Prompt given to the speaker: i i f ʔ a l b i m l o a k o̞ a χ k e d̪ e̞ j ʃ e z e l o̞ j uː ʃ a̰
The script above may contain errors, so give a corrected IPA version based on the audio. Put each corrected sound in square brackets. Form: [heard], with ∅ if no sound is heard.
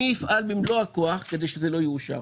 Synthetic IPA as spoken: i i f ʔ a l b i m l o a k o̞ a χ k e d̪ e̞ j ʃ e z e l o̞ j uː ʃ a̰